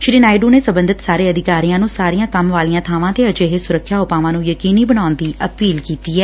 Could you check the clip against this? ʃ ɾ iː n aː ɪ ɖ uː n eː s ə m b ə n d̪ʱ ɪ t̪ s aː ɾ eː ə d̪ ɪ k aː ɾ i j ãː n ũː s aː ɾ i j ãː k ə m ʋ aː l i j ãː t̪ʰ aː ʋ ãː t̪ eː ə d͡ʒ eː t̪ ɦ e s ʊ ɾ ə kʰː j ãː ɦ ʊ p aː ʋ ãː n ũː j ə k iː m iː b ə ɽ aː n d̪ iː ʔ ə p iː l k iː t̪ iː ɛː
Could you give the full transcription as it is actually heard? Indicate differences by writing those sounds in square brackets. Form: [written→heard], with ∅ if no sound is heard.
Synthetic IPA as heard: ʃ ɾ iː n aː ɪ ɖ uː n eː s ə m b ə n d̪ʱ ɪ t̪ s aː ɾ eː ə d̪ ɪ k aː ɾ i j ãː n ũː s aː ɾ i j ãː k ə m ʋ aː l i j ãː t̪ʰ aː ʋ ãː t̪ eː ə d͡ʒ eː [t̪→∅] ɦ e s ʊ ɾ ə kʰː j [ãː→aː] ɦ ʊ p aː ʋ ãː n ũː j ə k iː [m→n] iː b ə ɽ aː n d̪ iː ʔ ə p iː l k iː t̪ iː ɛː